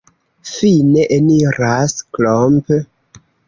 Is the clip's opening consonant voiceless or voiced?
voiceless